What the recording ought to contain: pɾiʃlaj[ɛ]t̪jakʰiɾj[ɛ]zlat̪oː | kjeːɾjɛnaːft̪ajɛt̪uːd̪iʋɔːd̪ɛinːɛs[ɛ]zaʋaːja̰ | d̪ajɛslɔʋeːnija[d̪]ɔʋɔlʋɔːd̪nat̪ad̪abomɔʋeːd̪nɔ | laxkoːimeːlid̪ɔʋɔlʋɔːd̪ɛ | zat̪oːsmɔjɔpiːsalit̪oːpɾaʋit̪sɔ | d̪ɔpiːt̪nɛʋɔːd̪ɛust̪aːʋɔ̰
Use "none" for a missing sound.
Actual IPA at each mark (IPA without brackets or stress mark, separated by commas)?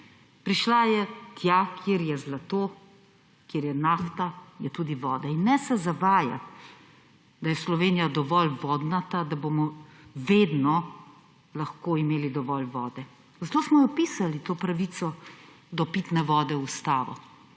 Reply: ɛ, ɛ, ɛ, d̪